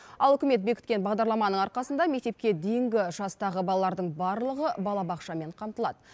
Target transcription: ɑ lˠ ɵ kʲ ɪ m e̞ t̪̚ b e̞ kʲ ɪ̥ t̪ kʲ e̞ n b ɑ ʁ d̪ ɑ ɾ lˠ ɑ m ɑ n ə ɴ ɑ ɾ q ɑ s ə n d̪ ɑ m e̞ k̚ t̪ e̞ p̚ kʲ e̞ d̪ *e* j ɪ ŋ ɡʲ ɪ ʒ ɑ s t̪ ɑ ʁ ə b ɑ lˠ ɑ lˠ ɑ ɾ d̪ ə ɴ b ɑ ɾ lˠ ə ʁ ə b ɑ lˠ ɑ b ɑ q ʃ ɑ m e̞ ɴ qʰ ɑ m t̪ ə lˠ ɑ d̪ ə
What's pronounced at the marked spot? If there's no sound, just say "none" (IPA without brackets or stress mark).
e